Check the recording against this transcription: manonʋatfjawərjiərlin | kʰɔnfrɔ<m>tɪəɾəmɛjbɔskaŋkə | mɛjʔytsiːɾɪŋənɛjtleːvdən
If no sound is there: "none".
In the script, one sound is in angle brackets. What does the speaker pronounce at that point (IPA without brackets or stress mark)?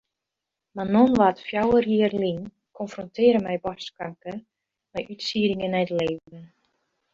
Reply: n